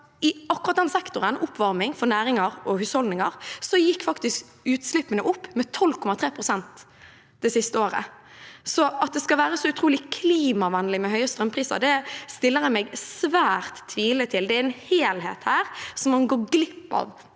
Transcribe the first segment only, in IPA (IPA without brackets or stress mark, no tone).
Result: ɪ